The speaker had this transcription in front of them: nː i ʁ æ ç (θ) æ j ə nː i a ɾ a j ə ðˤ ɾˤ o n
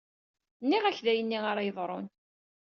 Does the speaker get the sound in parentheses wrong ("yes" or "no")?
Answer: yes